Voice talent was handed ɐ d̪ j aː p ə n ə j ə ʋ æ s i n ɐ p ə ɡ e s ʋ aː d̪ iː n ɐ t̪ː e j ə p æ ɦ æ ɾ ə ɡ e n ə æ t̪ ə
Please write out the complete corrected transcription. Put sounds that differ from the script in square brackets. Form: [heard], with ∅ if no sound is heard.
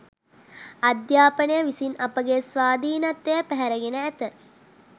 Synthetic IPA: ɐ d̪ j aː p ə n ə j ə ʋ [i] s i n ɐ p ə ɡ e s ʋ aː d̪ iː n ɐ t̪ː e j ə p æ ɦ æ ɾ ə ɡ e n ə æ t̪ ə

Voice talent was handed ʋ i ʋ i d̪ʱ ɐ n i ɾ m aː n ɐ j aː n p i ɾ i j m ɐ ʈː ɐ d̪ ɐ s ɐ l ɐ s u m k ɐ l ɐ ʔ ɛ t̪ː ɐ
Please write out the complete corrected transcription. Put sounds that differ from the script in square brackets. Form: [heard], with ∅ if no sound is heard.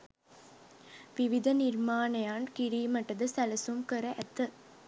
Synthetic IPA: ʋ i ʋ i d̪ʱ ɐ n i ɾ m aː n ɐ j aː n [k] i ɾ i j m ɐ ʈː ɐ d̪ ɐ s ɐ l ɐ s u m k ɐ [ɾ] ɐ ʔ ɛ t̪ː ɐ

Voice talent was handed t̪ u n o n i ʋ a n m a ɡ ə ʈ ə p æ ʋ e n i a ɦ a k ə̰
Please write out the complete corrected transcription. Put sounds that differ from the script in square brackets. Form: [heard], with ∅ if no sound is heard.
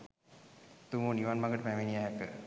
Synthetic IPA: t̪ u [m] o n i ʋ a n m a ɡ ə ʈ ə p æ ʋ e n i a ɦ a k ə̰

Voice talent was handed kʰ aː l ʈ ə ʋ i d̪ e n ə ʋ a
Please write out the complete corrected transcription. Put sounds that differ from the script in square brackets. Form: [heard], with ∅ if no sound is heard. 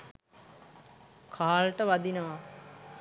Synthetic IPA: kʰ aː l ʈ ə ʋ [a] d̪ [i] n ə ʋ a

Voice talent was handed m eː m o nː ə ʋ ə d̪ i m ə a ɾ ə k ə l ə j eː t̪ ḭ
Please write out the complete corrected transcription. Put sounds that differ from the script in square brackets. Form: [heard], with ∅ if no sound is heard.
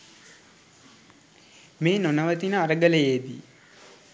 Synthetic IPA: m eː [n] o [n] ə ʋ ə [t̪] i [n] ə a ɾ ə [ɡ] ə l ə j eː [d̪] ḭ

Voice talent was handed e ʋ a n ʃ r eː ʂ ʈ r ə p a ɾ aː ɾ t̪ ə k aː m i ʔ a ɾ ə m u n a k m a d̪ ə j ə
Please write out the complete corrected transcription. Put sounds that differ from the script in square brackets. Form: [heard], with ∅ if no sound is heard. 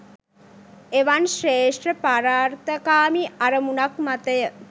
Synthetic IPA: e ʋ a n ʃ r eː ʂ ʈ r ə p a ɾ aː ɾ t̪ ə k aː m i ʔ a ɾ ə m u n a k m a [t̪] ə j ə

